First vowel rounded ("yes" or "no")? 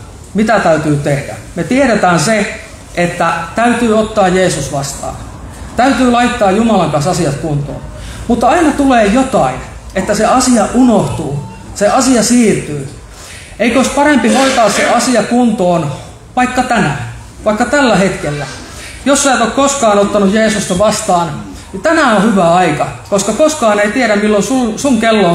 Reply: no